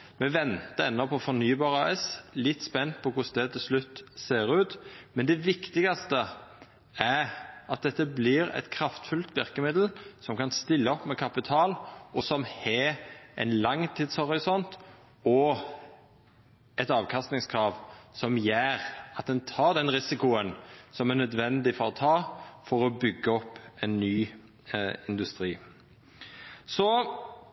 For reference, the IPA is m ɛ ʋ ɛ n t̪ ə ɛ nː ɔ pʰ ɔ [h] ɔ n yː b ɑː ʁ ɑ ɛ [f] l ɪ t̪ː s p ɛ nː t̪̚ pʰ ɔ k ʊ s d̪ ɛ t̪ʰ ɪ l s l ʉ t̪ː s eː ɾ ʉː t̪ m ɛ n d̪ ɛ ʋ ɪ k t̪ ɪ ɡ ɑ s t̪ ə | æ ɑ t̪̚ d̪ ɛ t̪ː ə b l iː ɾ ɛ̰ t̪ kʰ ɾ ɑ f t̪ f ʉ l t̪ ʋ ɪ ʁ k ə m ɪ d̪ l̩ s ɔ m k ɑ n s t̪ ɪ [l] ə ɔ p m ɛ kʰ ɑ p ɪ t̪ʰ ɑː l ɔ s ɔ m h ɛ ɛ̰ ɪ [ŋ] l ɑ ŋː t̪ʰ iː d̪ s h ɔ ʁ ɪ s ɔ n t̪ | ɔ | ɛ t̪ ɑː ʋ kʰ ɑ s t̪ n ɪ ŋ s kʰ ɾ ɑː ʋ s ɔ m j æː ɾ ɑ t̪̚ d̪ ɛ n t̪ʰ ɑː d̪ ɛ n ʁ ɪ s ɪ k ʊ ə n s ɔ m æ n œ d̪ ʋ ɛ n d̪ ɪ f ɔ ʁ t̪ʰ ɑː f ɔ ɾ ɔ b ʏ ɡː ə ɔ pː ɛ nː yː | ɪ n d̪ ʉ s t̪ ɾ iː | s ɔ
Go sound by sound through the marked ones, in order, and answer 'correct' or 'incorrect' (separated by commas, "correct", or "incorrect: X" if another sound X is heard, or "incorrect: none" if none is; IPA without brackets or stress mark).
incorrect: f, incorrect: s, incorrect: lː, incorrect: n